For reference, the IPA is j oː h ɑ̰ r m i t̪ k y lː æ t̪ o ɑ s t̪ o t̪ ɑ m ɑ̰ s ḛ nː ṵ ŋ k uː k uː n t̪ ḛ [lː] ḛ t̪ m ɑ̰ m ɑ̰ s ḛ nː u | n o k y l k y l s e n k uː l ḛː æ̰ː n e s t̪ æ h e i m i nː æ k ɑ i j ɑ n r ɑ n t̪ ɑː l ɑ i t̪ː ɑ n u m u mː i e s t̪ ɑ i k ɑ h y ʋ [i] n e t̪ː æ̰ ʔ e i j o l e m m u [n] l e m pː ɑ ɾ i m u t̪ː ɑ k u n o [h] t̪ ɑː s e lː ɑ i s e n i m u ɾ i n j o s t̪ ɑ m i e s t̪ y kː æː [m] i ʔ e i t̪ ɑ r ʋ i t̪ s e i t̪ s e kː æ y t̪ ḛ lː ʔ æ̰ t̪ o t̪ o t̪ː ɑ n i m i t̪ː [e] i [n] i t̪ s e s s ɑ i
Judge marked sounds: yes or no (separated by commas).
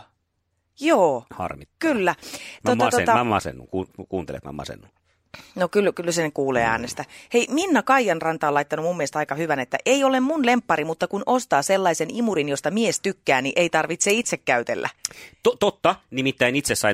no, no, yes, no, no, no, yes